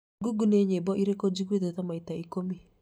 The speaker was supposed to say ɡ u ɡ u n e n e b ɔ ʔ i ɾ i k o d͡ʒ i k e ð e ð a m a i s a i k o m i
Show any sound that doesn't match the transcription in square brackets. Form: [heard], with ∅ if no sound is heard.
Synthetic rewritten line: ɡ u ɡ u n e [ɲ] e b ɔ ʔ i ɾ [e] k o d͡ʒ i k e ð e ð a m a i [t] a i k o m i